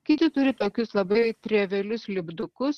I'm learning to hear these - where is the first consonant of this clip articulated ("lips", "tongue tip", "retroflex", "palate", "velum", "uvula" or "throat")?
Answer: velum